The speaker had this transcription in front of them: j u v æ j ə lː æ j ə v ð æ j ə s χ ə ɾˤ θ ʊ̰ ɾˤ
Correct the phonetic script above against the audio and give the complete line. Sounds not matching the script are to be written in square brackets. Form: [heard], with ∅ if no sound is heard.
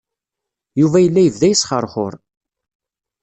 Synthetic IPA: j u v æ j ə lː æ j ə v ð æ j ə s χ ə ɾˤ [χ] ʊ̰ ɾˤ